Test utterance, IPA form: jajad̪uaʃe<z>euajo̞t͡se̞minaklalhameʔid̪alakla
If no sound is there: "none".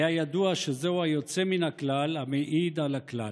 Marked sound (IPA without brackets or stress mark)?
z